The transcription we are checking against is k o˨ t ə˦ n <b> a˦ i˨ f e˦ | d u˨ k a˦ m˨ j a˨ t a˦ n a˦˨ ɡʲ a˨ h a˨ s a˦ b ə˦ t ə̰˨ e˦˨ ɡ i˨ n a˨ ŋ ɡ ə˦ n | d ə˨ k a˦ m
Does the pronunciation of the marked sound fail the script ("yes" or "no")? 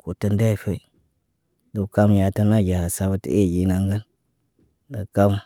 yes